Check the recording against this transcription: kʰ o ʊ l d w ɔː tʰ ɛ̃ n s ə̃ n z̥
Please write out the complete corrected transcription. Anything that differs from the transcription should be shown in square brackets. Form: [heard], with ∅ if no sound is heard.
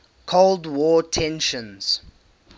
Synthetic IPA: kʰ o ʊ l d w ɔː tʰ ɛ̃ n [ʃ] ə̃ n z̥